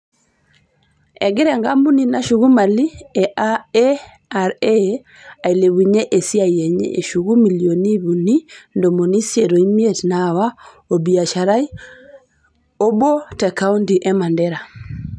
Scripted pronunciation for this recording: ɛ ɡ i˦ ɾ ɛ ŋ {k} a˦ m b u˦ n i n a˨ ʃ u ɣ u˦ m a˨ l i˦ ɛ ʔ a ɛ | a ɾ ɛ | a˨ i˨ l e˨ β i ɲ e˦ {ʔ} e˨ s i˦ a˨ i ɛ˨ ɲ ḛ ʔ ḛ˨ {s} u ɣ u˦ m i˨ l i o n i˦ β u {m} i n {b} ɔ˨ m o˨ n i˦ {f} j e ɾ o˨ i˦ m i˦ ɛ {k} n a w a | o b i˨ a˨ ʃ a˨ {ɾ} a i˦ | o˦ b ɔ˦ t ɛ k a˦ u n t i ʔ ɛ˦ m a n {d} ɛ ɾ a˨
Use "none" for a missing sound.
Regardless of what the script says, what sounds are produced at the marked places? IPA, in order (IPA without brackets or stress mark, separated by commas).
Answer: ɡ, ʔ, ʃ, n, d, s, t, ɾ, d